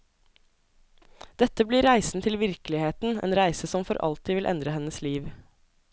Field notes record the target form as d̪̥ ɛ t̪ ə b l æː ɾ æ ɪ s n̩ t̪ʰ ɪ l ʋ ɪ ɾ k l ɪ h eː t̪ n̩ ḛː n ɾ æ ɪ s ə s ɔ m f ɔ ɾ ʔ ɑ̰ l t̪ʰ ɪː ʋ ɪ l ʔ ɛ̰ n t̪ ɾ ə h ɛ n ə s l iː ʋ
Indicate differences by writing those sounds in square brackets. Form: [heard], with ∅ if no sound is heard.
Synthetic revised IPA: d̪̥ ɛ t̪ ə b l [iː] ɾ æ ɪ s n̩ t̪ʰ ɪ l ʋ ɪ ɾ k l ɪ h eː t̪ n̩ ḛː n ɾ æ ɪ s ə s ɔ m f ɔ ɾ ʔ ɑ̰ l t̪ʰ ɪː ʋ ɪ l ʔ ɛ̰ n [d̪] ɾ ə h ɛ n ə s l iː ʋ